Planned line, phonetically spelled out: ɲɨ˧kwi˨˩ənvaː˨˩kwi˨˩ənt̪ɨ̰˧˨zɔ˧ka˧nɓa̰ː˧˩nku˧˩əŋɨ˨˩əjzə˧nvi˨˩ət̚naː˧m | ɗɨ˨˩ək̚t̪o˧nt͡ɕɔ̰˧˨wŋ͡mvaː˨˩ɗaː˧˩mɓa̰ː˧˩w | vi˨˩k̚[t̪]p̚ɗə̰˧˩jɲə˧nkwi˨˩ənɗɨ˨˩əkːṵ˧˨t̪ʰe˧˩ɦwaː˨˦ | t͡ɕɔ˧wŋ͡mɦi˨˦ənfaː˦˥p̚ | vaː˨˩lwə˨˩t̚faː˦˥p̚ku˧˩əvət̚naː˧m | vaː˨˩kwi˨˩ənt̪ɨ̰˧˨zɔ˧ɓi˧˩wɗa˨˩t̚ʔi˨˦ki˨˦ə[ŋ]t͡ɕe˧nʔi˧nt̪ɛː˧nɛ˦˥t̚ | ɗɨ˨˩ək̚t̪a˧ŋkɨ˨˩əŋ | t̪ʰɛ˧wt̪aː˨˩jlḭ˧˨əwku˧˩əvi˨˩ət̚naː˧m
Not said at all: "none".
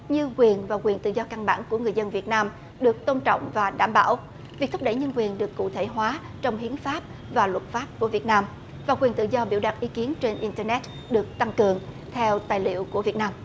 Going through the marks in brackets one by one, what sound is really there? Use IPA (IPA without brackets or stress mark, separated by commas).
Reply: t̪ʰ, n